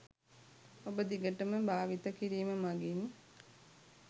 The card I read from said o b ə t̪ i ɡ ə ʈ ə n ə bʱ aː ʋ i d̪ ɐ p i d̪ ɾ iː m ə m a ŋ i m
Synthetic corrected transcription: o b ə d̪ i ɡ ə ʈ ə m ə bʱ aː ʋ i t̪ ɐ k i ɾ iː m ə m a ɡ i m